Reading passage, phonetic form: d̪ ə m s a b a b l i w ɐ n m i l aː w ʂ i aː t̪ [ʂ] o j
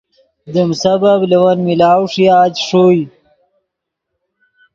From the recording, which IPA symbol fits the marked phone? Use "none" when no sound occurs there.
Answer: ʂ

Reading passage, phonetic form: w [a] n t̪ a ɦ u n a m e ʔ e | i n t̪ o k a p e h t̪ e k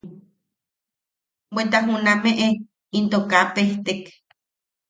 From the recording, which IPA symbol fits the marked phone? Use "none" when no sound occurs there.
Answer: e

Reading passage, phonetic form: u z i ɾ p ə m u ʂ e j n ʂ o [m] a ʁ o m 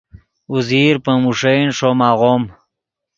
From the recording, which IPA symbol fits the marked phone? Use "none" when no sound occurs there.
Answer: m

